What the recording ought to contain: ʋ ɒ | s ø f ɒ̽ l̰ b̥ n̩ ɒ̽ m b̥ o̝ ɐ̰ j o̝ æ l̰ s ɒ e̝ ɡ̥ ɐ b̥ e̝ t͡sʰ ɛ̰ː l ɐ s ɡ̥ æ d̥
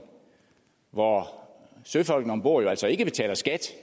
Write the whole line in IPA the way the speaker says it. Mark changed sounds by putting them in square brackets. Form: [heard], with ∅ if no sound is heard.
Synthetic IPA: ʋ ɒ | s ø f ɒ̽ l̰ [ɡ̥] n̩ ɒ̽ m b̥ o̝ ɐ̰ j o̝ æ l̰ s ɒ e̝ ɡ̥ [ə] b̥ e̝ t͡sʰ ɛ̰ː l ɐ s ɡ̥ æ d̥